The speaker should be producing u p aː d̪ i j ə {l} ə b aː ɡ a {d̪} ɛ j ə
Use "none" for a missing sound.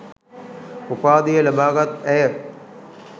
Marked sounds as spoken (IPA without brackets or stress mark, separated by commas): l, t̪